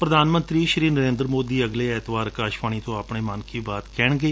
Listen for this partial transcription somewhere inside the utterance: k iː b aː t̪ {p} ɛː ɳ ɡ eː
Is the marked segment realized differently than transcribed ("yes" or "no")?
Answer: yes